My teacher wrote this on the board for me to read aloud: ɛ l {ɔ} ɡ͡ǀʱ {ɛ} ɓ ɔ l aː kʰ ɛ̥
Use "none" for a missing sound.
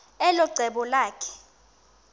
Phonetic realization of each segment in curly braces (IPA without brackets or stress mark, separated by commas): ɔ, ɛ